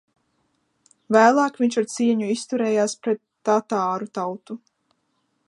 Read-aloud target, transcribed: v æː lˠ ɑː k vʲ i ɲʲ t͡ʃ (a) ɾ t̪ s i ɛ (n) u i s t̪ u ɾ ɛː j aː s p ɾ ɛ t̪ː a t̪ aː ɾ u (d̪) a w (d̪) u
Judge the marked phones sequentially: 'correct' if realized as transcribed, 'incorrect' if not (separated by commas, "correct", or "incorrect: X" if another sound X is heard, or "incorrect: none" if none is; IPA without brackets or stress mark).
correct, incorrect: ɲ, incorrect: t̪, incorrect: t̪